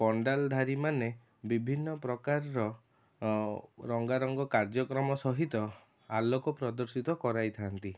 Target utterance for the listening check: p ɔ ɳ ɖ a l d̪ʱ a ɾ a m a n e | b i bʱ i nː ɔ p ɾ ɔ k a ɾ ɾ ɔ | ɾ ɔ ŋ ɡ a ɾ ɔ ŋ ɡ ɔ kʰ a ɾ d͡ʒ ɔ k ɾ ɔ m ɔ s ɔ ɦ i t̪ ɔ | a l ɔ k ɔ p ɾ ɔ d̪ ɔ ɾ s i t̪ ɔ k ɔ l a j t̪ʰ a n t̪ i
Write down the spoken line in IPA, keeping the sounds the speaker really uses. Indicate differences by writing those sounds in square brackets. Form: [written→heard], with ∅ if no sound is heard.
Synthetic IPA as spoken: p ɔ ɳ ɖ a l d̪ʱ a ɾ [a→i] m a n e | b i bʱ i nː ɔ p ɾ ɔ k a ɾ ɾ ɔ | ɾ ɔ ŋ ɡ a ɾ ɔ ŋ ɡ ɔ [kʰ→k] a ɾ d͡ʒ ɔ k ɾ ɔ m ɔ s ɔ ɦ i t̪ ɔ | a l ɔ k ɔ p ɾ ɔ d̪ ɔ ɾ s i t̪ ɔ k ɔ [l→ɾ] a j t̪ʰ a n t̪ i